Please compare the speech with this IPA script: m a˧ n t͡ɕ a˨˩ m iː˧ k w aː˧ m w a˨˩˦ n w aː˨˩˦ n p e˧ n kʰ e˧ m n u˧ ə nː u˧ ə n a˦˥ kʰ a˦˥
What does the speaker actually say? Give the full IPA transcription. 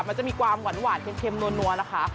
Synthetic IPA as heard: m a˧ n t͡ɕ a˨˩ m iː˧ k w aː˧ m w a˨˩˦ n w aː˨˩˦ n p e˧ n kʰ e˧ m n u˧ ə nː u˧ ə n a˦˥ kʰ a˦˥

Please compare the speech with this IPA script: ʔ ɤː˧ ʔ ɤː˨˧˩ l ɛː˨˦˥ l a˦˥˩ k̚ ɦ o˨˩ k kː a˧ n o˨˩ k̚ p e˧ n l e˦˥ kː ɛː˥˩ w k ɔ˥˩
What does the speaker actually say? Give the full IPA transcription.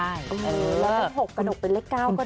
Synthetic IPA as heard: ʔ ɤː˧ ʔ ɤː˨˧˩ l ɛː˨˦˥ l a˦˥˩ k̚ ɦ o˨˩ k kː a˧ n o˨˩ k̚ p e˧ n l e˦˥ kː aː˥˩ w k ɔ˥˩

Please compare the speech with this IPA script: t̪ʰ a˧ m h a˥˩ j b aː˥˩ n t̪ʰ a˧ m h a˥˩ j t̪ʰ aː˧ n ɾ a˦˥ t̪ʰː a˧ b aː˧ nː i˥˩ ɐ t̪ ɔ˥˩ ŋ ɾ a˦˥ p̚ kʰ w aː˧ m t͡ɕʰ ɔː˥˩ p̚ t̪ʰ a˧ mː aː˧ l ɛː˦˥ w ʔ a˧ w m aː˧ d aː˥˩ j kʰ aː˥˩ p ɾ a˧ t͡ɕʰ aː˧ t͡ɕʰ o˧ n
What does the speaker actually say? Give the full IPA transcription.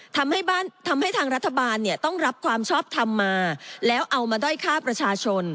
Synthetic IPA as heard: t̪ʰ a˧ m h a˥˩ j b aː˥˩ n t̪ʰ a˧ m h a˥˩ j t̪ʰ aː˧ ŋ ɾ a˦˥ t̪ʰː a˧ b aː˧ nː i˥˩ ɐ t̪ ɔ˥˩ ŋ ɾ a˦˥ p̚ kʰ w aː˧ m t͡ɕʰ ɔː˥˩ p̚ t̪ʰ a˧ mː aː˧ l ɛː˦˥ w ʔ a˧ w m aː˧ d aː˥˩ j kʰ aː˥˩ p ɾ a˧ t͡ɕʰ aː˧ t͡ɕʰ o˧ n

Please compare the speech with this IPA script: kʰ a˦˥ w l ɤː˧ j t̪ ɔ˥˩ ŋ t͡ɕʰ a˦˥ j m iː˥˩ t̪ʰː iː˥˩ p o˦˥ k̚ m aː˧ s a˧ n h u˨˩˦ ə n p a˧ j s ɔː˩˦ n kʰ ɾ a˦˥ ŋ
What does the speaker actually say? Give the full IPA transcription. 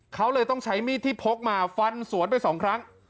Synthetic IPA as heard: kʰ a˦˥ w l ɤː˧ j t̪ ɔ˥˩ ŋ t͡ɕʰ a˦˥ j m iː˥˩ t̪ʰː iː˥˩ pʰ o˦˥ k̚ m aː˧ f a˧ n s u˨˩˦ ə n p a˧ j s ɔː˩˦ ŋ kʰ ɾ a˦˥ ŋ

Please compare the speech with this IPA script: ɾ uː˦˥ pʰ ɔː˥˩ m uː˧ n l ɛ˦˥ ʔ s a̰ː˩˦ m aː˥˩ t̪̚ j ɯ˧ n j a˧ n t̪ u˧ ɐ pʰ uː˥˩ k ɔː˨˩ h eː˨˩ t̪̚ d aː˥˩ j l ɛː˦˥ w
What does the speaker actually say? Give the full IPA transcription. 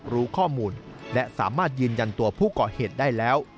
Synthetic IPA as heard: ɾ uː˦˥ kʰ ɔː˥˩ m uː˧ n l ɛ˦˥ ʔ s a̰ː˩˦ m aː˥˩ t̪̚ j ɯː˧ n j a˧ n t̪ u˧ ɐ pʰ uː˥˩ k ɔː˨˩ h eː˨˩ t̪̚ d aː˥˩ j l ɛː˦˥ w

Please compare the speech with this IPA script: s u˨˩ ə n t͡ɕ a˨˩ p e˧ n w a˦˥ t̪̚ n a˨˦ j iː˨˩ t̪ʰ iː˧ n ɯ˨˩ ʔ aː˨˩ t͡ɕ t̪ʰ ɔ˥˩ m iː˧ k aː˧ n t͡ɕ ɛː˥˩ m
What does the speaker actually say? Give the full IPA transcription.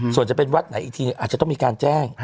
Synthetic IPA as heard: s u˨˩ ə n t͡ɕ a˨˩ p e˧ n w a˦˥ t̪̚ n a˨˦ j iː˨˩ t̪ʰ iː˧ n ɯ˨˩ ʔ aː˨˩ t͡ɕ t̪ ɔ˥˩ m iː˧ k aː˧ n t͡ɕ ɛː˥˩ ŋ

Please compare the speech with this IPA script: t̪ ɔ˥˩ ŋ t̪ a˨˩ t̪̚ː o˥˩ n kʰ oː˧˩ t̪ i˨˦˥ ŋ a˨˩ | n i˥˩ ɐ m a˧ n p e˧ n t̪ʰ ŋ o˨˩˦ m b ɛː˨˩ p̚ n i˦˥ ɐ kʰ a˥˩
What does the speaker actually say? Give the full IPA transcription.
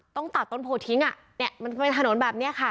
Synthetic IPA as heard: t̪ ɔ˥˩ ŋ t̪ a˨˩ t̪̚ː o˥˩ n pʰ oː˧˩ t̪ʰ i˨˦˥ ŋ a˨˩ | n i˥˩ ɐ m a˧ n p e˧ n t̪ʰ n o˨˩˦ n b ɛː˨˩ p̚ n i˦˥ ɐ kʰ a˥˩

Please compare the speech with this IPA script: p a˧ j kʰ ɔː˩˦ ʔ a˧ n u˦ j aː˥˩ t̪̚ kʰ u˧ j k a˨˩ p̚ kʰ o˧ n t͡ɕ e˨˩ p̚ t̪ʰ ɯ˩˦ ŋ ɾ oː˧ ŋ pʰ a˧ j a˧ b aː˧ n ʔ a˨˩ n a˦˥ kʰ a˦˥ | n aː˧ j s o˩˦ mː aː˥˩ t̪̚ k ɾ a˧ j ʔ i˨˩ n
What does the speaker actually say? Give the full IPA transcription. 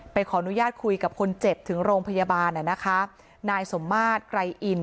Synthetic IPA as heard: p a˧ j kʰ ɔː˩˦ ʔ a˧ n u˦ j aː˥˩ t̪̚ kʰ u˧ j k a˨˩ p̚ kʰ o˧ n t͡ɕ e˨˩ p̚ t̪ʰ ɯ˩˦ ŋ ɾ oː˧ ŋ pʰ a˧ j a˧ b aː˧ n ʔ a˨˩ n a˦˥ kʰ a˦˥ | n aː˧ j s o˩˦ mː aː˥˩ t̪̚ k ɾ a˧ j ʔ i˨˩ n

